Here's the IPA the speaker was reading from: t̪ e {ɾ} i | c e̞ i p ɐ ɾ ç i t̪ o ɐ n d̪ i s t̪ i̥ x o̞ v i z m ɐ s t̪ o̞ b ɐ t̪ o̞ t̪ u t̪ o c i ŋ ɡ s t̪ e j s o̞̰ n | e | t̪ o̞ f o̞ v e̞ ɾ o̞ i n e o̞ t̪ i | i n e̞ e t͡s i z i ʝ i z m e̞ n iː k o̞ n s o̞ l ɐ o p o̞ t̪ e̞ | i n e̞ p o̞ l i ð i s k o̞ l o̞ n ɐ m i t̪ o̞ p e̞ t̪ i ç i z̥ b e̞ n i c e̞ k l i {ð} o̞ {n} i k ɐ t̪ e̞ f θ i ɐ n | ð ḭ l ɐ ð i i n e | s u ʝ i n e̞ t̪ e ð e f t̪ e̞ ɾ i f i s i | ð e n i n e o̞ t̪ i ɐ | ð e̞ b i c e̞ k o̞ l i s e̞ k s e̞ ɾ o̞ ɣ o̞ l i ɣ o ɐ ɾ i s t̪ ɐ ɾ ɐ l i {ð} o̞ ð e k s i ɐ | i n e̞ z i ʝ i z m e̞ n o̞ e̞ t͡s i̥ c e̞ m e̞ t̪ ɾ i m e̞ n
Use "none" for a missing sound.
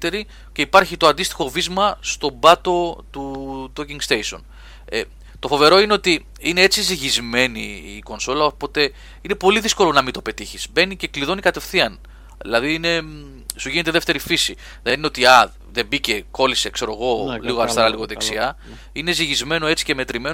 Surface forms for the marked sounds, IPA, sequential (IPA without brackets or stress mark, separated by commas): ɾ, ð, n, ɣ